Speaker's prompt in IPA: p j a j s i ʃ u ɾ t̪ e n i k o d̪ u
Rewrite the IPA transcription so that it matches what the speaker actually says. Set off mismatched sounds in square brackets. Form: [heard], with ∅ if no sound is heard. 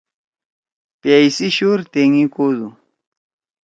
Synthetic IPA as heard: p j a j s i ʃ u ɾ t̪ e [ŋ] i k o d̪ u